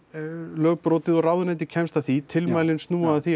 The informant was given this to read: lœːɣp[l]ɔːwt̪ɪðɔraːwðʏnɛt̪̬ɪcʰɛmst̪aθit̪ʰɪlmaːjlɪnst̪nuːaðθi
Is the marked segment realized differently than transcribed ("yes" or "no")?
yes